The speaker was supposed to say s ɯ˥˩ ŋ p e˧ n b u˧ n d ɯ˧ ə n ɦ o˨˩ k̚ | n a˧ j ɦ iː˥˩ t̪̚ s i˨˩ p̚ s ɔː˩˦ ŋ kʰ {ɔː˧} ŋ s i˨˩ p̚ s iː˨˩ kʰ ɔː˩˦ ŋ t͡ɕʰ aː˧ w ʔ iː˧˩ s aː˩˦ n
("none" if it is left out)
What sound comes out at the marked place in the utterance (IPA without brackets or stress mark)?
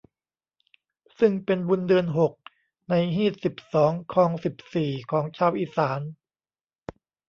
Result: ɔː˧